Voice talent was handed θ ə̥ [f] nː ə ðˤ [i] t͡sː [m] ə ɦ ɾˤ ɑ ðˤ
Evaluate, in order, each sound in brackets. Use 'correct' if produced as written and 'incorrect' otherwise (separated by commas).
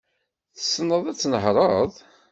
incorrect, incorrect, incorrect